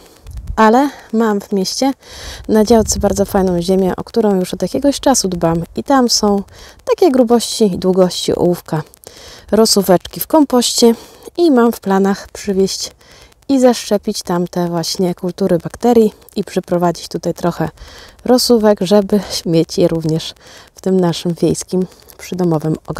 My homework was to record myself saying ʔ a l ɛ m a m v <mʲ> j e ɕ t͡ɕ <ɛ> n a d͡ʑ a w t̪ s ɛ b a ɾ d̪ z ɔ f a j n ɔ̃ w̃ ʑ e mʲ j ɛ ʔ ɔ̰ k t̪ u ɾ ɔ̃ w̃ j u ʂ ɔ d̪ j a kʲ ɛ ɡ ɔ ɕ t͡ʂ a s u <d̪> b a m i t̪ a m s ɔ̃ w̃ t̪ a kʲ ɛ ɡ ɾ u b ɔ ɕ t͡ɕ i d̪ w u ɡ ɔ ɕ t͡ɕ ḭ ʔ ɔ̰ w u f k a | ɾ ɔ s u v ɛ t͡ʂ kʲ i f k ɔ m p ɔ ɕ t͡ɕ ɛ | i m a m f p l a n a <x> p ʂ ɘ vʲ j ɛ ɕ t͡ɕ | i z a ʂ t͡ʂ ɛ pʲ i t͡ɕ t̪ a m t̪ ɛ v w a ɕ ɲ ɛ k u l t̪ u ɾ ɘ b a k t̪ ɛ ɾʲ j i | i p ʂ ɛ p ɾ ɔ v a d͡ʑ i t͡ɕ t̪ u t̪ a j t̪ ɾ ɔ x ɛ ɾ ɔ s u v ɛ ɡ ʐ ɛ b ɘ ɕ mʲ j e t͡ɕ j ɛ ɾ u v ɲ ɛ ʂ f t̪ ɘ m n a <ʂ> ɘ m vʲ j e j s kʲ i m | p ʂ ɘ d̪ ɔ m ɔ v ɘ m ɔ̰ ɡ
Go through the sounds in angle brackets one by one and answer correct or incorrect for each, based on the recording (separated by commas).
correct, correct, correct, correct, correct